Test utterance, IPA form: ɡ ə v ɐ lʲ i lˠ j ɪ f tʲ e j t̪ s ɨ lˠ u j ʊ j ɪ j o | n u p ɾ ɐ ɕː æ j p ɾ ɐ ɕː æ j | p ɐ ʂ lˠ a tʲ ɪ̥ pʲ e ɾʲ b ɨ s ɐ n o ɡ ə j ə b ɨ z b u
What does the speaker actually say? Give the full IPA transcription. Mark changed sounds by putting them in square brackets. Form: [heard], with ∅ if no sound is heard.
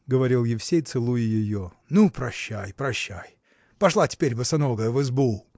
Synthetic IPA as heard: ɡ ə v ɐ [ɾʲ] i lˠ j ɪ f [sʲ] e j t̪ s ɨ lˠ u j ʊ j ɪ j o | n u p ɾ ɐ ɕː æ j p ɾ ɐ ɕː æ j | p ɐ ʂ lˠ a tʲ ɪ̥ pʲ e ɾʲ b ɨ s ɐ n o ɡ ə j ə [v] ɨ z b u